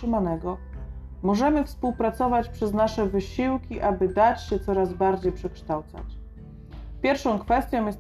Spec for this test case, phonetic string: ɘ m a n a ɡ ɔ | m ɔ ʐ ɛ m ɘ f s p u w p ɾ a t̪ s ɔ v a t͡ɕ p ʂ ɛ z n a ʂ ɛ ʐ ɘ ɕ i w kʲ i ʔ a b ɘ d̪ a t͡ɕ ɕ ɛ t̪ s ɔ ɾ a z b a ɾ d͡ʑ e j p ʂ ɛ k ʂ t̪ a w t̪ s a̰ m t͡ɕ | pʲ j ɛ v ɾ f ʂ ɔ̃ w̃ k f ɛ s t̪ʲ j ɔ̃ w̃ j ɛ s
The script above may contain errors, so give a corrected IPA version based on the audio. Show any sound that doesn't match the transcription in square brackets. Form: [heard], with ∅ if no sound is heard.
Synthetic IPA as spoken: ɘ m a n [ɛ] ɡ ɔ | m ɔ ʐ ɛ m ɘ f s p u w p ɾ a t̪ s ɔ v a t͡ɕ p ʂ ɛ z n a ʂ ɛ [v] ɘ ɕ i w kʲ i ʔ a b ɘ d̪ a t͡ɕ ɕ ɛ t̪ s ɔ ɾ a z b a ɾ d͡ʑ e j p ʂ ɛ k ʂ t̪ a w t̪ s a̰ [∅] t͡ɕ | pʲ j ɛ [∅] ɾ f ʂ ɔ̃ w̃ k f ɛ s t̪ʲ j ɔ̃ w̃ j ɛ s